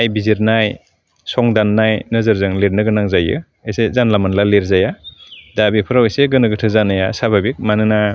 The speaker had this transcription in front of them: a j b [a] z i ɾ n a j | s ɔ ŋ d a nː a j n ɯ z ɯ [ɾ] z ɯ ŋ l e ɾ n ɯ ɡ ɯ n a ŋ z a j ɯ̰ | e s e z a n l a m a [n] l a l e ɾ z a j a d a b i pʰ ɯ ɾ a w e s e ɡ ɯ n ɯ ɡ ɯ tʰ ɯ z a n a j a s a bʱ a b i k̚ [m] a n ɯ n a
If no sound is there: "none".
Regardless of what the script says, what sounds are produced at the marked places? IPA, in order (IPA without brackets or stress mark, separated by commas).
i, ɾ, n, m